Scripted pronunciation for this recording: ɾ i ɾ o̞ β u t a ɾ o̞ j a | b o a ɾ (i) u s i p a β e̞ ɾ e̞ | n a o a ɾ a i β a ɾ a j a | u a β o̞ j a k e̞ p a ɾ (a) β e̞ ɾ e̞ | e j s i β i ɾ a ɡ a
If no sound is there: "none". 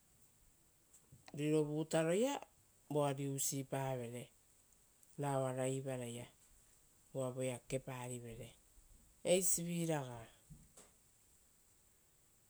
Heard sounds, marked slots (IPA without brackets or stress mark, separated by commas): i, i